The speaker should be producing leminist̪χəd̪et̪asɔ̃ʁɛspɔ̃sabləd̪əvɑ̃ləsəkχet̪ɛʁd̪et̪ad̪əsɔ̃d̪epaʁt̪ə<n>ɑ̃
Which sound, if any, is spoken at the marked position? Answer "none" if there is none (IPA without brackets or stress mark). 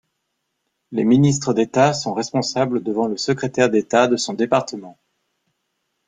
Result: m